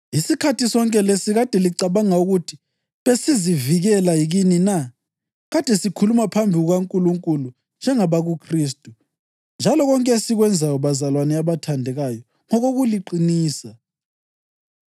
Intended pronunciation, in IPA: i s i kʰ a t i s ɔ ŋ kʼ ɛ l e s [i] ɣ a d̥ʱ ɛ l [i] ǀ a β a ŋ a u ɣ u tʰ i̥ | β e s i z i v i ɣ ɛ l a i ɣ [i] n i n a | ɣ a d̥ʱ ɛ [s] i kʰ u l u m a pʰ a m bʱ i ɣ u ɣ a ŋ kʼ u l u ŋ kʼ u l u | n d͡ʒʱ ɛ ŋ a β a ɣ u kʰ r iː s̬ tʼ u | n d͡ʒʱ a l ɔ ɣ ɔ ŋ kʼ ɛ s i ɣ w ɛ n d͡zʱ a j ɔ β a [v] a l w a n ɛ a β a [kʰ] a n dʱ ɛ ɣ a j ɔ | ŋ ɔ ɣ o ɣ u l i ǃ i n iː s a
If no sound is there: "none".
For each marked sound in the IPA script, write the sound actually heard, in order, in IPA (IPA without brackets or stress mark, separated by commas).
i, i, i, s, z, tʰ